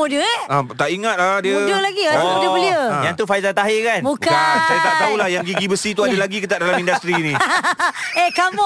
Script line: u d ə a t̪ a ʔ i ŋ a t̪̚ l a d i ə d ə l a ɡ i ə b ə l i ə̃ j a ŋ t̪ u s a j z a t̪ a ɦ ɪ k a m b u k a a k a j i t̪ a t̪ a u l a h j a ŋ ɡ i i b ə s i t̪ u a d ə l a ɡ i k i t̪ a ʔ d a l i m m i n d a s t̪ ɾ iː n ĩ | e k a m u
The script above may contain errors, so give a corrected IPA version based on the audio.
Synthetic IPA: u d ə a t̪ a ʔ i ŋ a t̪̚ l a d i ə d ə l a ɡ i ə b ə l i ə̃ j a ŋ t̪ u f a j z a t̪ a ɦ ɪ k a n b u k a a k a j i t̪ a t̪ a u l a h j a ŋ ɡ i i b ə s i t̪ u a d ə l a ɡ i k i t̪ a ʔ d a l a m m i n d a s t̪ ɾ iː n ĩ | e k a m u